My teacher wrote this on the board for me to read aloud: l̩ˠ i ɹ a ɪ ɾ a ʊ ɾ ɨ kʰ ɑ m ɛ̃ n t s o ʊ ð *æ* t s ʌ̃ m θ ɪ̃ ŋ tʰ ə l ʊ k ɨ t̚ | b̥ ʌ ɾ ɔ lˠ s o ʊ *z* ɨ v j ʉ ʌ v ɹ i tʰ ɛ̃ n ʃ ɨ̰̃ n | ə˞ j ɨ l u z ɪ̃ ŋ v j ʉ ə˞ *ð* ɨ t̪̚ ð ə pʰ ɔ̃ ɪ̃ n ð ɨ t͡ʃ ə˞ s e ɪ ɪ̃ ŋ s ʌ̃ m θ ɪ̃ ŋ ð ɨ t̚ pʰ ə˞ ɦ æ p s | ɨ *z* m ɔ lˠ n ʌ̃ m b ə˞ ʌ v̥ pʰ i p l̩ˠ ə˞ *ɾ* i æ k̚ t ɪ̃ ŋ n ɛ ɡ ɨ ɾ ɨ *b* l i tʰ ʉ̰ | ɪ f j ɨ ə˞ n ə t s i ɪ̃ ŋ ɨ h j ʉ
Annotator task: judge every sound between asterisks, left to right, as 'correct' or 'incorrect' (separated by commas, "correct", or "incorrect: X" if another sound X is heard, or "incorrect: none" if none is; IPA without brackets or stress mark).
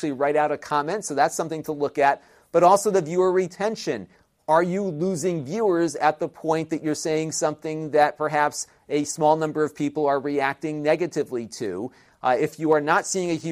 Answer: correct, incorrect: ð, incorrect: z, incorrect: s, incorrect: ɹ, incorrect: v